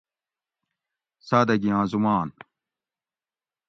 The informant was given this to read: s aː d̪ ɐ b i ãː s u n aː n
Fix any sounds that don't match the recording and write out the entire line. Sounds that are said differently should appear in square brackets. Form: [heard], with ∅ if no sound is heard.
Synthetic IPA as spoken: s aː d̪ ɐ [ɡ] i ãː [z] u [m] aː n